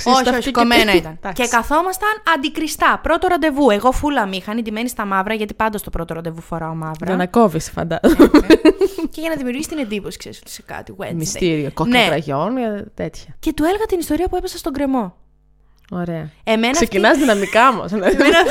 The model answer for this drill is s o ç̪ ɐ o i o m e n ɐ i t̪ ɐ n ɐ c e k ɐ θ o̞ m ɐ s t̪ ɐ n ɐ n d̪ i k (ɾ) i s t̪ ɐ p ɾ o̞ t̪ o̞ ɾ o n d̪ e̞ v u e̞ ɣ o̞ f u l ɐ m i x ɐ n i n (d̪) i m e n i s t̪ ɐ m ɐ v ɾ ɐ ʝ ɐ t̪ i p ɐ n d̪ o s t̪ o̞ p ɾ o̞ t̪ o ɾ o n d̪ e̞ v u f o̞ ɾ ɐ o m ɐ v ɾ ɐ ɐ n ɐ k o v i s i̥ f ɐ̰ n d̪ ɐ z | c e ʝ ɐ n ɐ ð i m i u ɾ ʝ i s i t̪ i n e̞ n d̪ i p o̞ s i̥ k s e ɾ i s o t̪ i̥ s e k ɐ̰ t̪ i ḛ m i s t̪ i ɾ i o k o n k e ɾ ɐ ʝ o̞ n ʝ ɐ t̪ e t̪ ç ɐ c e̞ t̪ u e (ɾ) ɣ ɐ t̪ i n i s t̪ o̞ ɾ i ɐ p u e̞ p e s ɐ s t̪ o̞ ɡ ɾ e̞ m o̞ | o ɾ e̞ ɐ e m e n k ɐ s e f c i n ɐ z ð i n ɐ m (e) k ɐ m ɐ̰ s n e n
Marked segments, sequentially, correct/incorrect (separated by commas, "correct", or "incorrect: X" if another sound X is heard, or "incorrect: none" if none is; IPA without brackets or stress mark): correct, correct, incorrect: l, incorrect: i